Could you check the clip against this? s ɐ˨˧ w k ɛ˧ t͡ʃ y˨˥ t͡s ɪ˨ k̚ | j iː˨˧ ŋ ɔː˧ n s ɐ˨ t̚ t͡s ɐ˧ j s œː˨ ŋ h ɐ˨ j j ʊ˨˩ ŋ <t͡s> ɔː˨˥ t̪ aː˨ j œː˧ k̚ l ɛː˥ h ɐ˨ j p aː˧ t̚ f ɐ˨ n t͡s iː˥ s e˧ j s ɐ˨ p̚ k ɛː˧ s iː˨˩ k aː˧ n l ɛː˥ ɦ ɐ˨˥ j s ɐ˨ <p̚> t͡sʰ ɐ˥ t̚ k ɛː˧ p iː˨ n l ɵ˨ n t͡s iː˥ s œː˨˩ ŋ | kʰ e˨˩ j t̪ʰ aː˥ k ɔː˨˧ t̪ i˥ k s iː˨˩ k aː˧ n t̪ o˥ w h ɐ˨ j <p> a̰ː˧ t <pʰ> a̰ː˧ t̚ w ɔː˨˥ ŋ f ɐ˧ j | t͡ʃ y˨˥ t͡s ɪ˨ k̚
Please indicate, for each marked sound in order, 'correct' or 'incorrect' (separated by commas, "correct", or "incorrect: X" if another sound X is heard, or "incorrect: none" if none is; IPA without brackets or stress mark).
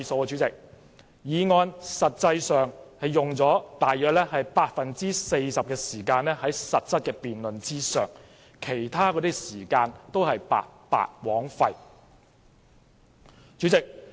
correct, incorrect: t̚, correct, incorrect: p